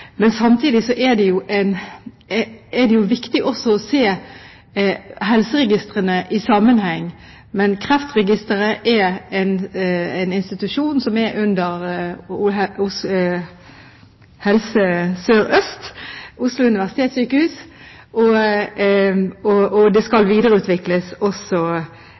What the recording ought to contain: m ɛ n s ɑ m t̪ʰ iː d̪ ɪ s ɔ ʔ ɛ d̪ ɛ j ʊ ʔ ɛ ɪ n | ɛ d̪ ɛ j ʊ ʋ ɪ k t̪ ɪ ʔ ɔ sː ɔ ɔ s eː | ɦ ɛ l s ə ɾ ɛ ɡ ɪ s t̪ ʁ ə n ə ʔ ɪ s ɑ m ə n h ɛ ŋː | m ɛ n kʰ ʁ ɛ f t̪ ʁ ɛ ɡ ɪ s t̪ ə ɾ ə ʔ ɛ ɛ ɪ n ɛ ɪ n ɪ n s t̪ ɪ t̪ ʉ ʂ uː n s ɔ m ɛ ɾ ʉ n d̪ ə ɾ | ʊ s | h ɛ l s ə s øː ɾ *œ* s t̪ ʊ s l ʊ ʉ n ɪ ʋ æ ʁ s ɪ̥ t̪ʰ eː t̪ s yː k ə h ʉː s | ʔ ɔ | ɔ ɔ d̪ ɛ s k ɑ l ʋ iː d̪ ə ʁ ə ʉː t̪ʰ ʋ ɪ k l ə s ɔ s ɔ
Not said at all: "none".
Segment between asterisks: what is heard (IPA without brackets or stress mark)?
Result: œ